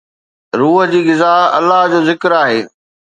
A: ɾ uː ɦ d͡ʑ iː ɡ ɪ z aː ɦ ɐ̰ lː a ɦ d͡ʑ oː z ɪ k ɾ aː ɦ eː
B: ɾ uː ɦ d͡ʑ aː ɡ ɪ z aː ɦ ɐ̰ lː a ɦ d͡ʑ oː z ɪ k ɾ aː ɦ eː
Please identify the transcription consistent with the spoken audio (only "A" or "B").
A